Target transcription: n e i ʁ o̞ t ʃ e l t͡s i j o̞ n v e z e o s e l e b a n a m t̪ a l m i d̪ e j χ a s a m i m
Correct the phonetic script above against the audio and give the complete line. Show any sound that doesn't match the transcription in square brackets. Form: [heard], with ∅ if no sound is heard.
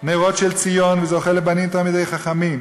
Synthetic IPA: n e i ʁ o̞ t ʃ e l t͡s i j o̞ n v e z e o [χ] e l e b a n [i] m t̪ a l m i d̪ e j χ a [χ] a m i m